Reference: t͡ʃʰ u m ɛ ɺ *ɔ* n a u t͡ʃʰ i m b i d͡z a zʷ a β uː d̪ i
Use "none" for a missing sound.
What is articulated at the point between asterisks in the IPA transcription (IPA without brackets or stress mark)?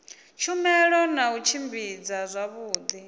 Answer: ɔ